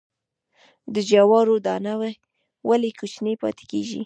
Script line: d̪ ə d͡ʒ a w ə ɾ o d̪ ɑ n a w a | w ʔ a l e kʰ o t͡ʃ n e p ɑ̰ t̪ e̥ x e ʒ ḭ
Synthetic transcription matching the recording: d̪ ə d͡ʒ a w ɑ ɾ o d̪ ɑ n a w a | w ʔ a l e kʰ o t͡ʃ n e p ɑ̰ t̪ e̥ k e ʒ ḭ